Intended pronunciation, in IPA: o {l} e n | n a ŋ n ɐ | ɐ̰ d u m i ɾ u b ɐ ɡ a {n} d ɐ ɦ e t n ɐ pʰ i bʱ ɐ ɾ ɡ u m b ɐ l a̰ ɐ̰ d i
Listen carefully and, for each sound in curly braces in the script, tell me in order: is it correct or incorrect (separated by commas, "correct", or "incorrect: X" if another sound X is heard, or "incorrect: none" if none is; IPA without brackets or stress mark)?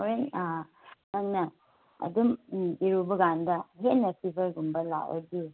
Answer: incorrect: ɾ, correct